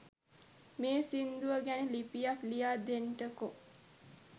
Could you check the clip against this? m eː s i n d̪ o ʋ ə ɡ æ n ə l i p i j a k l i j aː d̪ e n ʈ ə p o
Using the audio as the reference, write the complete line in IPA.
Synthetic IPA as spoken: m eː s i n d̪ u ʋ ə ɡ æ n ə l i p i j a k l i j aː d̪ e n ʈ ə k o